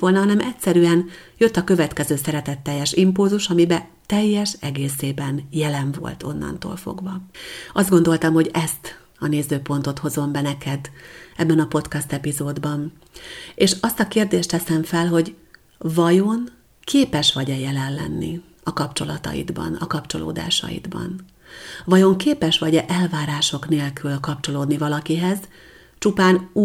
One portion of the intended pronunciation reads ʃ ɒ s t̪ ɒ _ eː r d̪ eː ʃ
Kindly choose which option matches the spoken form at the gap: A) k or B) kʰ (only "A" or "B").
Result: A